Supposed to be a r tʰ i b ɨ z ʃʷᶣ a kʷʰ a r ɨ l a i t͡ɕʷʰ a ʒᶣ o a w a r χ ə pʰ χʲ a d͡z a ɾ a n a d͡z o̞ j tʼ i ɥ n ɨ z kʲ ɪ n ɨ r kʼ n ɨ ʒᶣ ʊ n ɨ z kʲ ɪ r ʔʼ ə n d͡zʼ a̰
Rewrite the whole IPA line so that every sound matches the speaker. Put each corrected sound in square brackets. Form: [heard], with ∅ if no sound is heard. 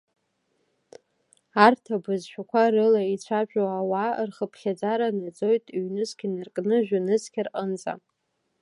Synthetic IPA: a r tʰ [a] b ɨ z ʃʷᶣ a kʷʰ a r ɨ l a i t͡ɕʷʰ a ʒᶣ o a w a r χ ə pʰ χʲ a d͡z a ɾ a n a d͡z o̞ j tʼ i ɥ n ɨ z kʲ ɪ n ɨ r kʼ n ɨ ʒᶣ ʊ n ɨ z kʲ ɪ r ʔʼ ə n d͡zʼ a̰